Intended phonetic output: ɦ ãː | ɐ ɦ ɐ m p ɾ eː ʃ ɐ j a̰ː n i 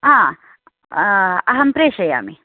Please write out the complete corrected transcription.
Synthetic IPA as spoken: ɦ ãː | ɐ ɦ ɐ m p ɾ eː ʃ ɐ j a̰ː m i